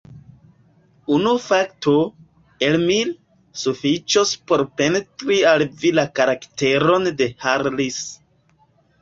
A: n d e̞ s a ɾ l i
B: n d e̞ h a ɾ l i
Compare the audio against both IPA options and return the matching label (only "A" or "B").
B